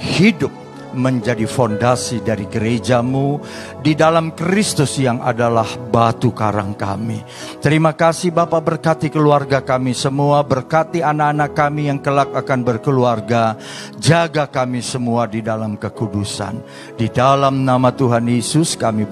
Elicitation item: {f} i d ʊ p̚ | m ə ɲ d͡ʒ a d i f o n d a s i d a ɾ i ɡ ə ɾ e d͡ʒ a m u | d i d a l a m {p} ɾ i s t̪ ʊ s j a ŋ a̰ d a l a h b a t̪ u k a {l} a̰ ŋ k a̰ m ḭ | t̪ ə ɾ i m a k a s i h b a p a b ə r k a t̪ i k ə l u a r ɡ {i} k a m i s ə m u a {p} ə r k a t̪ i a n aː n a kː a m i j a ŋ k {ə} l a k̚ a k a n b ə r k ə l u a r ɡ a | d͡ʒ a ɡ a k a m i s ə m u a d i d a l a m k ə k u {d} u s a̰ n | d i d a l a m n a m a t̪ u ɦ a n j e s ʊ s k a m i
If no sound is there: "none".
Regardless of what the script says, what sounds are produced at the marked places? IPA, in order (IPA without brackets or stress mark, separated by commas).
h, k, ɾ, a, b, ə, d